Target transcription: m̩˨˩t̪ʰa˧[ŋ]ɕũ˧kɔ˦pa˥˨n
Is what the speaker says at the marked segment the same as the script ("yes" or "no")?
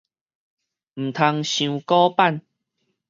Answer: yes